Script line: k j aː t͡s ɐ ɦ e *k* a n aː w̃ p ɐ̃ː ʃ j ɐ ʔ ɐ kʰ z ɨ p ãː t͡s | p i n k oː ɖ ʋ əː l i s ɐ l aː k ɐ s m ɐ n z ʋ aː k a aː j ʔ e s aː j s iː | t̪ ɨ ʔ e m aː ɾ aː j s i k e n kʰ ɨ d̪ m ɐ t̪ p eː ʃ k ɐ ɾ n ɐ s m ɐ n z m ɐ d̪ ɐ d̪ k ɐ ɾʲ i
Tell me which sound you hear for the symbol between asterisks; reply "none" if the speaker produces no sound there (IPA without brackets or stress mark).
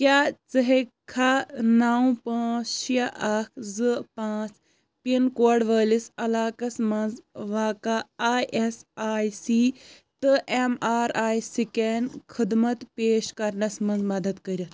kʰ